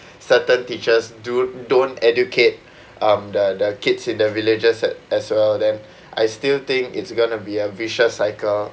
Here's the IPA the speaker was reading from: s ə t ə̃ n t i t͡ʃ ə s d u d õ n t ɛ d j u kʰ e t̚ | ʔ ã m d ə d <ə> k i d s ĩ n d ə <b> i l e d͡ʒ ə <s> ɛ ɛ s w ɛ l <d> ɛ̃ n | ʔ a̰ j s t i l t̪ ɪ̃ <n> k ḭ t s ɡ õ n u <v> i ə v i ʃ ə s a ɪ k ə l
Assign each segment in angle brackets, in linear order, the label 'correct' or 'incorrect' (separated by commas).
correct, incorrect, correct, correct, incorrect, incorrect